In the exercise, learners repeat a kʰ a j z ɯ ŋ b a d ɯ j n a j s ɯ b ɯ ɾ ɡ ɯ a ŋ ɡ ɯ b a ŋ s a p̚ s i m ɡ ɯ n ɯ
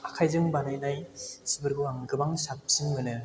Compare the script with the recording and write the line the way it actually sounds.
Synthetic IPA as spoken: a kʰ a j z ɯ ŋ b a n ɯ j n a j s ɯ b ɯ ɾ ɡ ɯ a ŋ ɡ ɯ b a ŋ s a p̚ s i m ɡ ɯ n ɯ

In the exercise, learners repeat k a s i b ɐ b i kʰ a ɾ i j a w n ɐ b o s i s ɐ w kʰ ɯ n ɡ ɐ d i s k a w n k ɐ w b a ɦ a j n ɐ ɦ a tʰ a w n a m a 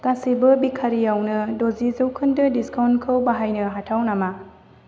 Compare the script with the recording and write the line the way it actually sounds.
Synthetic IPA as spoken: k a s i b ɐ b i kʰ a ɾ i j a w n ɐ d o z i z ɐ w kʰ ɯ n d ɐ d i s k a w n kʰ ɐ w b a ɦ a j n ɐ ɦ a tʰ a w n a m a

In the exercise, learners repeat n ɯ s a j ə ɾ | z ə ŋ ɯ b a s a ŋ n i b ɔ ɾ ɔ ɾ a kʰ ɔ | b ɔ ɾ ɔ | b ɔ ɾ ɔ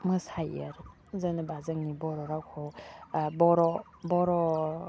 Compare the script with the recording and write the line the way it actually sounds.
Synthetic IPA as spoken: m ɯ s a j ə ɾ | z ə n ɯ b a z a ŋ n i b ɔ ɾ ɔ ɾ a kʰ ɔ | b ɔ ɾ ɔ | b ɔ ɾ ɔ

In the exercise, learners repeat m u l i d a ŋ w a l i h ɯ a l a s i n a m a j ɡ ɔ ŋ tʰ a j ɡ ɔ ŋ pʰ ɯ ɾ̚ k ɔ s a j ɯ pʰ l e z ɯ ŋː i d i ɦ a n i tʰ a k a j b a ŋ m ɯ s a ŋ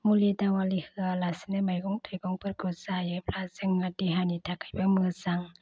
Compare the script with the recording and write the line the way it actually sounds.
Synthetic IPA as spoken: m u l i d a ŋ w a l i h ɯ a l a s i n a m a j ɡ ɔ ŋ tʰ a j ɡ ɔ ŋ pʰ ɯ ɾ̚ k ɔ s a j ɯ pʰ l a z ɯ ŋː a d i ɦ a n i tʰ a k a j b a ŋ m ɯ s a ŋ

